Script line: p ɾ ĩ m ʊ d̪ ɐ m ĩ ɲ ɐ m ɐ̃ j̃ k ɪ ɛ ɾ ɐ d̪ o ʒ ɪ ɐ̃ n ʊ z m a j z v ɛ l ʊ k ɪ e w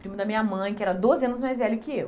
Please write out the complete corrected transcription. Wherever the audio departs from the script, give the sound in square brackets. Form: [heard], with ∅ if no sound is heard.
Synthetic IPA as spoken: p ɾ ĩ m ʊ d̪ ɐ m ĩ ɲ ɐ m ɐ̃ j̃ k ɪ ɛ ɾ ɐ d̪ o [z] ɪ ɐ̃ n ʊ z m a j z v ɛ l ʊ k ɪ e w